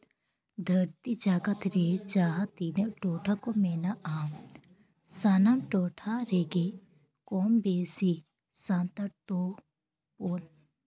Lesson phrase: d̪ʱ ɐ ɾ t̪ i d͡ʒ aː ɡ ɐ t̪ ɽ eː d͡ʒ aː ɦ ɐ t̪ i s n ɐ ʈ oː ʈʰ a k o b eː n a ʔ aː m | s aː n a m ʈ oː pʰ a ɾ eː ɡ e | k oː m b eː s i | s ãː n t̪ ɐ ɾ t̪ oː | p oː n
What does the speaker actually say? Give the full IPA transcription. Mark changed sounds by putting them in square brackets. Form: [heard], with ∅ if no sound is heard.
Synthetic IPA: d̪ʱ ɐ ɾ t̪ i d͡ʒ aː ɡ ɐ t̪ [ɾ] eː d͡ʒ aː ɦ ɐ t̪ i [∅] n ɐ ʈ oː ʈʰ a k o [m] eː n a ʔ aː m | s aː n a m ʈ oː [ʈʰ] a ɾ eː ɡ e | k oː m b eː s i | s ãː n t̪ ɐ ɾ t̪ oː | p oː n